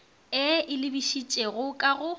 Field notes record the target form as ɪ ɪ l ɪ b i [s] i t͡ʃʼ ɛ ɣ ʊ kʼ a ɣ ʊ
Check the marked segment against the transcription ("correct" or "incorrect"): incorrect